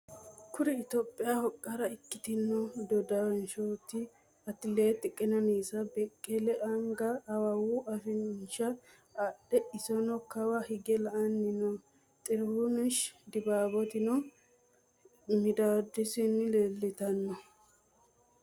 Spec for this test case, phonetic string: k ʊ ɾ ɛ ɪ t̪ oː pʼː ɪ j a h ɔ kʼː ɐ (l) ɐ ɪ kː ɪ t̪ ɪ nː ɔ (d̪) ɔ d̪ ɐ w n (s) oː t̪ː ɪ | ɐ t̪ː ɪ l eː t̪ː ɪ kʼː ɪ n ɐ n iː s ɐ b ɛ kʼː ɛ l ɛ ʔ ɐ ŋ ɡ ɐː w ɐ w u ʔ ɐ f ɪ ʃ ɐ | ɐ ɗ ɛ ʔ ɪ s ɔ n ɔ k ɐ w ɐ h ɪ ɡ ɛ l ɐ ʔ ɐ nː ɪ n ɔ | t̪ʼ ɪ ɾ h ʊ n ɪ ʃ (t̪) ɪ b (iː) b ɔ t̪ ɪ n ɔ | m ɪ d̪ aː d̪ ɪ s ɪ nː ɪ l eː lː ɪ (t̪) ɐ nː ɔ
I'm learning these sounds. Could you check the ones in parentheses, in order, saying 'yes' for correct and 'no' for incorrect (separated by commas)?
no, yes, no, no, no, yes